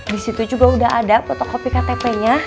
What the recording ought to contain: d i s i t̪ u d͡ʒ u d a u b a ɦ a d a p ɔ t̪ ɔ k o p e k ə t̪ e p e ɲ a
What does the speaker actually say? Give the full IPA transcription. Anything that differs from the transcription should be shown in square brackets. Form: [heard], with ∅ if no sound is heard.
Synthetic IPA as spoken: d i s i t̪ u d͡ʒ u [ɡ] a u [d] a ɦ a d a p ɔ t̪ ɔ k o p [i] k [a] t̪ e p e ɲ a